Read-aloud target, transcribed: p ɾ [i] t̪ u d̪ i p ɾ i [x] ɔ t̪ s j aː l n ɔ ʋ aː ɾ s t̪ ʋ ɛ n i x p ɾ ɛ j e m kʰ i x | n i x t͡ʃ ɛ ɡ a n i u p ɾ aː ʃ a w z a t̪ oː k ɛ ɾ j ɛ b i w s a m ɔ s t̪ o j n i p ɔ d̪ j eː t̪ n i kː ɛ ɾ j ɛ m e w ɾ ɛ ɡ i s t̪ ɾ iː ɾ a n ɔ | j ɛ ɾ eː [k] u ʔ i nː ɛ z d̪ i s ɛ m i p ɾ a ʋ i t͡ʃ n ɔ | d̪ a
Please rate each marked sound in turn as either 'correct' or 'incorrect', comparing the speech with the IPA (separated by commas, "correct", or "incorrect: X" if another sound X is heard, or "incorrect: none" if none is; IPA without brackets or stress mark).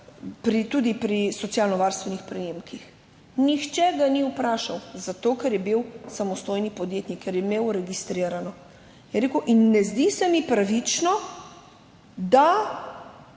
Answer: correct, incorrect: s, correct